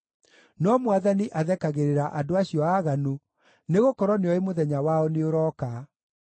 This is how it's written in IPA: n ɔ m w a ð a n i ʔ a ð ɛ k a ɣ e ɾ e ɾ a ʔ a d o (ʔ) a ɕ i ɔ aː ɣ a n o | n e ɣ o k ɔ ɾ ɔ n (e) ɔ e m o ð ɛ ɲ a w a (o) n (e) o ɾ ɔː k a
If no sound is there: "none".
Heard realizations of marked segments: none, e, ɔ, e

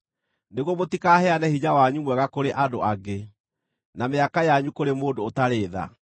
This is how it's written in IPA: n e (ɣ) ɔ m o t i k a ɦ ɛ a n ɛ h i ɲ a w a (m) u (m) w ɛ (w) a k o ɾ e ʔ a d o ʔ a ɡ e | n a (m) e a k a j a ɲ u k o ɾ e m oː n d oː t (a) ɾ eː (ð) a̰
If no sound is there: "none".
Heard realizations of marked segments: ɣ, ɲ, m, ɣ, m, a, ð

